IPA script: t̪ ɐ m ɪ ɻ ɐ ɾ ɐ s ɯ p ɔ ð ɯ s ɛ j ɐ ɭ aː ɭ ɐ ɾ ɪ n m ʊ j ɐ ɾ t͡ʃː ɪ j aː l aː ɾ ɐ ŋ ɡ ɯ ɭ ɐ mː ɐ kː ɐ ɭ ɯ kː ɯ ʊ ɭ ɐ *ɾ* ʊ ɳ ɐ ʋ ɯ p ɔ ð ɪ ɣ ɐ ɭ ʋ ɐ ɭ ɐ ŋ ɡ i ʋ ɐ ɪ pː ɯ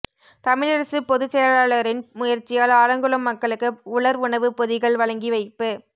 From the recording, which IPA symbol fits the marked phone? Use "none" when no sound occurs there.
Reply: ɾ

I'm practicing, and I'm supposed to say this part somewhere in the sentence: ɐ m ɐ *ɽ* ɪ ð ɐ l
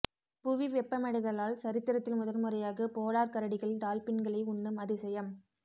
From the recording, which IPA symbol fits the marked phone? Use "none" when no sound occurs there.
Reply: ɽ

